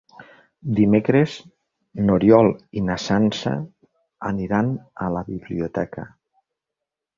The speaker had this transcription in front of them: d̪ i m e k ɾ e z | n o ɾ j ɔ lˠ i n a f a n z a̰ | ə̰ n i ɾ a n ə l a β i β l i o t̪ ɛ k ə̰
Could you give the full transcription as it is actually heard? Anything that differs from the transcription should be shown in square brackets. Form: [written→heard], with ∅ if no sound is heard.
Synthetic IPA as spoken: d̪ i m e k ɾ e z | n o ɾ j ɔ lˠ i n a [f→s] a n [z→s] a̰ | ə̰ n i ɾ a n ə l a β i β l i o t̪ ɛ k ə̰